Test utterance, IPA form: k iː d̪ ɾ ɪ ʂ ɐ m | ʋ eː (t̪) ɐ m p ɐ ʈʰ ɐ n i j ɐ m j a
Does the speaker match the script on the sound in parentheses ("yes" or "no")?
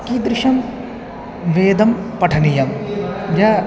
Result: no